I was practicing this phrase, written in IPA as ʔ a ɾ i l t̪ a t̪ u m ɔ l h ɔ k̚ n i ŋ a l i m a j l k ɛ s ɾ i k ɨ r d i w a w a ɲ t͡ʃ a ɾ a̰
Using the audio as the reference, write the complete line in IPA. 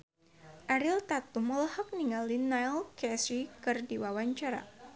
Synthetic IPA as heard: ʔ a ɾ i l t̪ a t̪ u m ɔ l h ɔ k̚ n i ŋ a l i n a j l k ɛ s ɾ i k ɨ r d i w a w a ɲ t͡ʃ a ɾ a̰